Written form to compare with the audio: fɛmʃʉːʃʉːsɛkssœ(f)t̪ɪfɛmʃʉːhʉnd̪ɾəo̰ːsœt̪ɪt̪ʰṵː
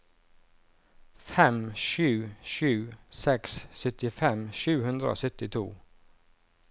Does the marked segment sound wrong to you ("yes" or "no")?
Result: yes